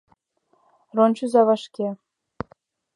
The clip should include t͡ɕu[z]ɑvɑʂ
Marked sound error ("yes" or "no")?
no